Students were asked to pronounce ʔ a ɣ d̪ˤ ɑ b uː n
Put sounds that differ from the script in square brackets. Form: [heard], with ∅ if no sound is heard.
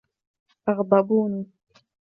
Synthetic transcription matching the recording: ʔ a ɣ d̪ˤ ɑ b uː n